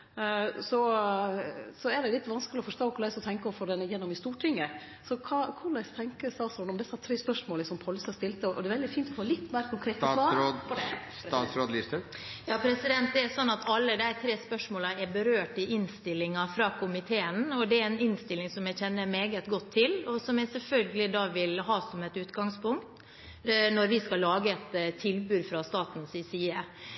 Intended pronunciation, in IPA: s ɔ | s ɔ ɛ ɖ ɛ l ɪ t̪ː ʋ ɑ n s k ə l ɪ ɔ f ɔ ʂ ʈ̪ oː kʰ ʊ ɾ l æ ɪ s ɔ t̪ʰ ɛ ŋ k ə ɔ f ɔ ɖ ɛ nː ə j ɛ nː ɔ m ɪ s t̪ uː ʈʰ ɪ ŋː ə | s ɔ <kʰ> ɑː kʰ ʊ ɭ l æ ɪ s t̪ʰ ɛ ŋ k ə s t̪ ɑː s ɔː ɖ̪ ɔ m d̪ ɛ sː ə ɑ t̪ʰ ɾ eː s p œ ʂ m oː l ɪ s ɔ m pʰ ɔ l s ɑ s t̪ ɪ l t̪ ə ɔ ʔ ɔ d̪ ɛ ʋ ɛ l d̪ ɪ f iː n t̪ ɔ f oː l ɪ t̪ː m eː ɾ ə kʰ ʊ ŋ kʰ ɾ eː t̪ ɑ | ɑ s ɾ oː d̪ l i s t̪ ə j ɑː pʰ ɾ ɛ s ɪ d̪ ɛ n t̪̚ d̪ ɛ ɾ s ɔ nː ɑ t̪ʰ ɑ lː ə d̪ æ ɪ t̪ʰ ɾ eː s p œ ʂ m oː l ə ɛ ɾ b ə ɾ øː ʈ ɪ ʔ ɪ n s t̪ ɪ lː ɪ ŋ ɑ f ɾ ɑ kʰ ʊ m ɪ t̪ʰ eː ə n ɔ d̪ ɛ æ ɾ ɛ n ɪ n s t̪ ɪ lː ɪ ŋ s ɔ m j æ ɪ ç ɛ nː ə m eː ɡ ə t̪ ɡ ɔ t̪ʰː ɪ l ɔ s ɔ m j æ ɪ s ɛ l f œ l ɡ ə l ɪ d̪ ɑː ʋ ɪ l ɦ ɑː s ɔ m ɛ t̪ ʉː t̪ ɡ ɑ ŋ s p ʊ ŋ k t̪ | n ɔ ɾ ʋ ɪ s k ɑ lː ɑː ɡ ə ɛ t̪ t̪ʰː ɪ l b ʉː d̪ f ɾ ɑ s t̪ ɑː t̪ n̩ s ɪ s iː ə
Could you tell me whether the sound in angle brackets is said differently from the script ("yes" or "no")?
no